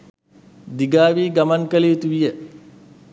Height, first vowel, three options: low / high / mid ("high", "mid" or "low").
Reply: high